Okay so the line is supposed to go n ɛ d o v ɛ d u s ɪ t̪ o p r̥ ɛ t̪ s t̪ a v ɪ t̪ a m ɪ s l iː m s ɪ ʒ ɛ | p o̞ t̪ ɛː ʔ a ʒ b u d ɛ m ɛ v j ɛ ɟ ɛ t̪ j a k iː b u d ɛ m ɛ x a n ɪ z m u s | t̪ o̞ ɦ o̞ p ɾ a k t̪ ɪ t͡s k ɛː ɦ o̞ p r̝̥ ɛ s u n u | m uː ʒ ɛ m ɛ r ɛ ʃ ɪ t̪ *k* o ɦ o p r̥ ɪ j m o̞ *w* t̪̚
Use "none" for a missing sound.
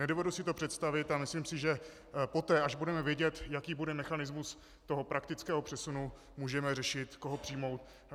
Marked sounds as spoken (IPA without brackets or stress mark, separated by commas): k, w